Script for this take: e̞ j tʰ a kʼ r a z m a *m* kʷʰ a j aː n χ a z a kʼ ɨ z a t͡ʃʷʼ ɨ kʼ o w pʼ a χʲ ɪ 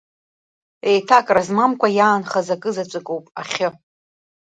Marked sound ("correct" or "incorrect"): correct